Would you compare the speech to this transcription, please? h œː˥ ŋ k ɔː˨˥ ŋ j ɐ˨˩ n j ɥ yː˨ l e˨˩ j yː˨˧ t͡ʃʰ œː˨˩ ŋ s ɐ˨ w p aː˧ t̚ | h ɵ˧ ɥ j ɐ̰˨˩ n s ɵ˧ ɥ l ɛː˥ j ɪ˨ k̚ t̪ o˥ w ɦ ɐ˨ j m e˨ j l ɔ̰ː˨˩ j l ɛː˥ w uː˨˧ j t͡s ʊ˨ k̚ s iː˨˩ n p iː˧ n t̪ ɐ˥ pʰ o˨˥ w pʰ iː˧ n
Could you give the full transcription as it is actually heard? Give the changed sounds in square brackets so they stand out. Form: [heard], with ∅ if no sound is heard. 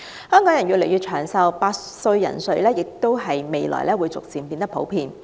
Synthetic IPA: h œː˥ ŋ k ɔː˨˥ ŋ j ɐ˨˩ n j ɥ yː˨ l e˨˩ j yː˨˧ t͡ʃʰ œː˨˩ ŋ s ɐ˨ w p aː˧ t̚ | [s] ɵ˧ ɥ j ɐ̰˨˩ n s ɵ˧ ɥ l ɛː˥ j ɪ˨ k̚ t̪ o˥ w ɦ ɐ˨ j m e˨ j l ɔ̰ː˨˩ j l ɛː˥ w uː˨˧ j t͡s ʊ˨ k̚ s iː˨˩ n p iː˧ n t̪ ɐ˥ pʰ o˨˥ w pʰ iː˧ n